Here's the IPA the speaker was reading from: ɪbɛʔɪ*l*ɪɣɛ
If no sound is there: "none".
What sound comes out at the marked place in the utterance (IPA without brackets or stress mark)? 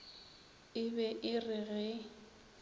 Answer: r